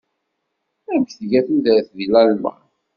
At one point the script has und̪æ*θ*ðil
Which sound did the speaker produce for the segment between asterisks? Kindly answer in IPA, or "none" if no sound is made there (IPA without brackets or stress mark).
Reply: θ